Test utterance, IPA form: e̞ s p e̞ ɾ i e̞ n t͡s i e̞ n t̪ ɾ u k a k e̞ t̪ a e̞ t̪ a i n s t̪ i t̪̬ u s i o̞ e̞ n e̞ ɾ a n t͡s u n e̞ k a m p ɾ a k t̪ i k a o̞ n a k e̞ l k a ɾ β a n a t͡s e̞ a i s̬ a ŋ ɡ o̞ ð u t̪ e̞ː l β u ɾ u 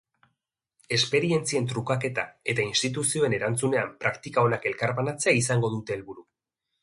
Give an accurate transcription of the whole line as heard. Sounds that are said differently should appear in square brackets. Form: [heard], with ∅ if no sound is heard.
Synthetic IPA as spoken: e̞ s p e̞ ɾ i e̞ n t͡s i e̞ n t̪ ɾ u k a k e̞ t̪ a e̞ t̪ a i n s t̪ i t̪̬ u s i o̞ e̞ n e̞ ɾ a n t͡s u n e̞ [∅] a m p ɾ a k t̪ i k a o̞ n a k e̞ l k a ɾ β a n a t͡s e̞ a i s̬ a ŋ ɡ o̞ ð u t̪ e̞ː l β u ɾ u